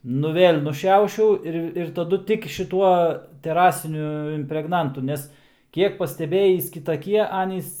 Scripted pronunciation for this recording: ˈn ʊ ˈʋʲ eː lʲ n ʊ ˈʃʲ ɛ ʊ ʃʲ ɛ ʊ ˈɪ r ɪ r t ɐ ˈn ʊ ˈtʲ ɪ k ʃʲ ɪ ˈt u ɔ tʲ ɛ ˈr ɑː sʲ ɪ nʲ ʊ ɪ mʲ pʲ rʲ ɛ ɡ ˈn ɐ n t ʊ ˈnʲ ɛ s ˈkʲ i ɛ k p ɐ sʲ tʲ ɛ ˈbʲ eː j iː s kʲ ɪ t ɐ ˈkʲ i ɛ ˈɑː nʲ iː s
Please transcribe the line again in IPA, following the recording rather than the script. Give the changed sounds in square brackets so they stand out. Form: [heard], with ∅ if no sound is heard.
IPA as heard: ˈn ʊ ˈʋʲ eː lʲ n ʊ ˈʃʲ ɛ ʊ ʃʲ ɛ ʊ ˈɪ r ɪ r t ɐ [ˈd] ʊ ˈtʲ ɪ k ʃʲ ɪ ˈt u ɔ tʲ ɛ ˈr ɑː sʲ ɪ nʲ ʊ ɪ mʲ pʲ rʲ ɛ ɡ ˈn ɐ n t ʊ ˈnʲ ɛ s ˈkʲ i ɛ k p ɐ sʲ tʲ ɛ ˈbʲ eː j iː s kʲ ɪ t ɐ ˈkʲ i ɛ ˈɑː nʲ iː s